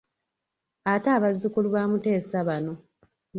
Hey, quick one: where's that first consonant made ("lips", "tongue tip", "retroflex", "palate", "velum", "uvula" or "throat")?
tongue tip